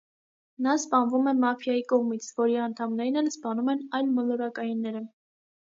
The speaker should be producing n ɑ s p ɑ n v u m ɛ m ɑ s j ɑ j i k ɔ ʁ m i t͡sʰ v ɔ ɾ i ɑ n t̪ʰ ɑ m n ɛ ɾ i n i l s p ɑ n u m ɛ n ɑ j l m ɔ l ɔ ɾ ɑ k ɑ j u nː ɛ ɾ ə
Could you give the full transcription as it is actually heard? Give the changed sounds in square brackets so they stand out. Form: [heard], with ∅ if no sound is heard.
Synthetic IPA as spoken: n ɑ s p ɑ n v u m ɛ m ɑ [f] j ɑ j i k ɔ ʁ m i t͡sʰ v ɔ ɾ i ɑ n t̪ʰ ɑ m n ɛ ɾ i n [ɛ] l s p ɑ n u m ɛ n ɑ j l m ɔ l ɔ ɾ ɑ k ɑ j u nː ɛ ɾ ə